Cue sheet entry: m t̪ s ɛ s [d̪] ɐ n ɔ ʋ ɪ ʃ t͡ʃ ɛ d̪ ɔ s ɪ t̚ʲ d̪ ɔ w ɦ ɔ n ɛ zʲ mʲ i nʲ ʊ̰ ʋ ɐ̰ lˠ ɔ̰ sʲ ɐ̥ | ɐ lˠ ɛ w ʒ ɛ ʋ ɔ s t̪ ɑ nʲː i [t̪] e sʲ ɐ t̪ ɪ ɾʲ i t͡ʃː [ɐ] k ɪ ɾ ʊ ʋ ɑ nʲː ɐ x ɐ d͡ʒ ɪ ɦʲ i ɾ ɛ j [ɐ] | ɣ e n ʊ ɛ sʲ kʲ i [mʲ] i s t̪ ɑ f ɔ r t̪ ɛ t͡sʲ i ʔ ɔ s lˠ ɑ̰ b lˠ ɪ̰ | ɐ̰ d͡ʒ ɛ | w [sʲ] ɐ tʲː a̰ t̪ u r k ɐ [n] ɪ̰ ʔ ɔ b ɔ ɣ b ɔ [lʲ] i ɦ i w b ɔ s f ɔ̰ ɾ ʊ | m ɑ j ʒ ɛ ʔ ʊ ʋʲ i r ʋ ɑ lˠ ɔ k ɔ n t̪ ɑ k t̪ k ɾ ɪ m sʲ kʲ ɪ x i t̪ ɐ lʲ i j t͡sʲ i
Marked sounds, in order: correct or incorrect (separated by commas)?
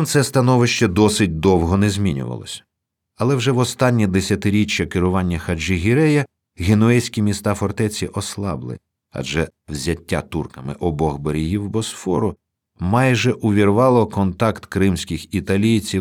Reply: incorrect, incorrect, correct, correct, correct, incorrect, incorrect, incorrect